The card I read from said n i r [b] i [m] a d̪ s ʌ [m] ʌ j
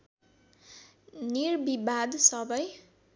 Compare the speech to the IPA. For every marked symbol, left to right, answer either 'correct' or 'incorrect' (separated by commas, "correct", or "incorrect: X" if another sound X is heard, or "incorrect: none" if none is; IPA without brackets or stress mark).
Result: correct, incorrect: b, incorrect: b